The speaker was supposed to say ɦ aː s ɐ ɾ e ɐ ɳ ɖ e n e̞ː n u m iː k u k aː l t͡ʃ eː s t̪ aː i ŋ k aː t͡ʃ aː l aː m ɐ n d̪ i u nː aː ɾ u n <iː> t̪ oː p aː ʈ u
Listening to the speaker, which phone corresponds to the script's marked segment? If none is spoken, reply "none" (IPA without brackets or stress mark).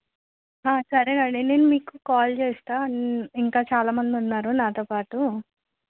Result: aː